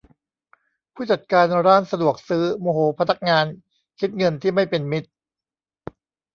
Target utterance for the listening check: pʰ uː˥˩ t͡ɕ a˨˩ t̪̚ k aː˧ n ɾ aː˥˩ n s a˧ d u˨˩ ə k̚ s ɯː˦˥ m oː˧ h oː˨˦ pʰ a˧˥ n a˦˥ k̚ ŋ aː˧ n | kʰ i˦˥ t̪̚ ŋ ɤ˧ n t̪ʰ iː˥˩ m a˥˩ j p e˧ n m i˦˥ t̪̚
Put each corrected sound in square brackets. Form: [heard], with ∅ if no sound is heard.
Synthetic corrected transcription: pʰ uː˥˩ t͡ɕ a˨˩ t̪̚ k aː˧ n ɾ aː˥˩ n s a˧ d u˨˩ ə k̚ s ɯː˦˥ m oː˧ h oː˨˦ pʰ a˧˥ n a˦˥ k̚ ŋ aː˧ n | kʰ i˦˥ t̪̚ ŋ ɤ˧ n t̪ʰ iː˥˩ m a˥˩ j p e˧ n m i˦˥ t̪̚